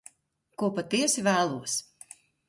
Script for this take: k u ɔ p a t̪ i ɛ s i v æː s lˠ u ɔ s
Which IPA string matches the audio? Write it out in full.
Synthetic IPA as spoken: k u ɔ p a t̪ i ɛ s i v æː lˠ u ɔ s

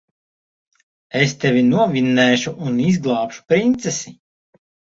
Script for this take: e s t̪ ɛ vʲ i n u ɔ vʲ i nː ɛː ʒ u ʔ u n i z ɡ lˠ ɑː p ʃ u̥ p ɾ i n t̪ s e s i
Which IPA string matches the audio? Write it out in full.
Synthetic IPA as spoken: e s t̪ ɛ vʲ i n u ɔ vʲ i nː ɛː ʃ u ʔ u n i z ɡ lˠ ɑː p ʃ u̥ p ɾ i n t̪ s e s i

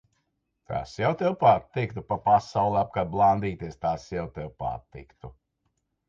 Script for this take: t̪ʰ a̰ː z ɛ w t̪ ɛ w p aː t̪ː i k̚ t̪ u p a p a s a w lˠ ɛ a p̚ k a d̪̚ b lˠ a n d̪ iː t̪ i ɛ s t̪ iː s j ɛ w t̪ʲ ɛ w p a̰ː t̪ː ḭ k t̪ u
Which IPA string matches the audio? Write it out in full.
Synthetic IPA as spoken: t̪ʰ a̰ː s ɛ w t̪ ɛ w p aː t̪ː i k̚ t̪ u p a p a s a w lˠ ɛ a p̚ k a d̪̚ b lˠ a n d̪ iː t̪ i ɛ s t̪ aː s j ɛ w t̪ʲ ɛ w p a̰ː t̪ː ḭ k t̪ u

